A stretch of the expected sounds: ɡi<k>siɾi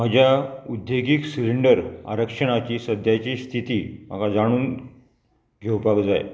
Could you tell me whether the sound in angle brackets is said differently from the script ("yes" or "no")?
no